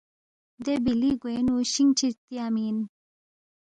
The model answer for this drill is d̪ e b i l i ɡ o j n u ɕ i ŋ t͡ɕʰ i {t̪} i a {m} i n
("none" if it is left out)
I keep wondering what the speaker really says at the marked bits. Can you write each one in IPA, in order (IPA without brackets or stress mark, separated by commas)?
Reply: t̪, m